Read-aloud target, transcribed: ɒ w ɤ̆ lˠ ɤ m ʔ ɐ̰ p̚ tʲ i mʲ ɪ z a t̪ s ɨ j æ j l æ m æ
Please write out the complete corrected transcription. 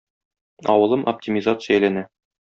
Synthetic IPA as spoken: ɒ w ɤ̆ lˠ ɤ m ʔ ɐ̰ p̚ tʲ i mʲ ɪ z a t̪ s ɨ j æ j l æ n æ